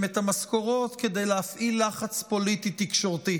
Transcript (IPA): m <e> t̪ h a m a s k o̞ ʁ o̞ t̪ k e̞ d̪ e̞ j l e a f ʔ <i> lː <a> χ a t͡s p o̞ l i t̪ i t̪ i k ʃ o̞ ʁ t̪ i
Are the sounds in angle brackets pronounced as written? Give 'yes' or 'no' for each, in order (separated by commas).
yes, yes, yes